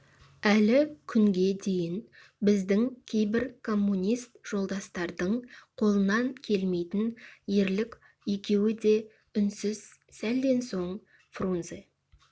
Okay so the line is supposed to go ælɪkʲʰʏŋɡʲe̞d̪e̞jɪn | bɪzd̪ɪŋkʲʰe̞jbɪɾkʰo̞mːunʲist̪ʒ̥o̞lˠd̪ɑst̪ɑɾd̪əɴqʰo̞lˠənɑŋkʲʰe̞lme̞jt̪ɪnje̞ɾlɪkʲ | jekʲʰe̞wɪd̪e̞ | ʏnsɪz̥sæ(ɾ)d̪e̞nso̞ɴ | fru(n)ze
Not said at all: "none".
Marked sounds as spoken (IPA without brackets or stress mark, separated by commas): l, n